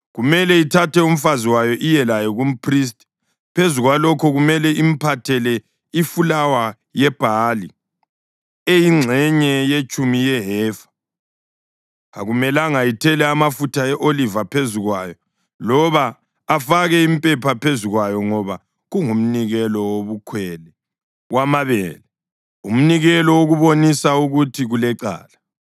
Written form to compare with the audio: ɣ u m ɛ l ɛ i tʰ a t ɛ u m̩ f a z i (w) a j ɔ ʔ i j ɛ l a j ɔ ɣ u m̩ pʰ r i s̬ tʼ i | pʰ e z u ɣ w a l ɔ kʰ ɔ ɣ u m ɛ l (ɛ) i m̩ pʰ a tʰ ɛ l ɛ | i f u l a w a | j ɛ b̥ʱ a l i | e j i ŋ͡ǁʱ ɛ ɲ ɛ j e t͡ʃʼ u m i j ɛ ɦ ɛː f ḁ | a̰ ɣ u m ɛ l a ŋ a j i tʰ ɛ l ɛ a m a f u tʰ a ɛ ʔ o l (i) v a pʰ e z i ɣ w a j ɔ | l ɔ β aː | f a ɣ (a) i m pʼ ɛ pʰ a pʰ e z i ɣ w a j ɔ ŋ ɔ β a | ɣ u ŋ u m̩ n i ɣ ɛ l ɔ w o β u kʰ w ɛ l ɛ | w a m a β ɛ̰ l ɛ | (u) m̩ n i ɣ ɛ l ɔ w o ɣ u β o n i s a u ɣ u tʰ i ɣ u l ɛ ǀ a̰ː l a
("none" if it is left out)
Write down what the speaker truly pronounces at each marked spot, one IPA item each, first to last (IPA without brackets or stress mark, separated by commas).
w, ɛ, i, ɛ, u